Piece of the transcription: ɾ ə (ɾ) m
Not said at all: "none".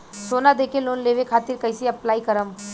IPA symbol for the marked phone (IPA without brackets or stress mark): none